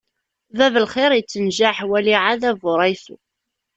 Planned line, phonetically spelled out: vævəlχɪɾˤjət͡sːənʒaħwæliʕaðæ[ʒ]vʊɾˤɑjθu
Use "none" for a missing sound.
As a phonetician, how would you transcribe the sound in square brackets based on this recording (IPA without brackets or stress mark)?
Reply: none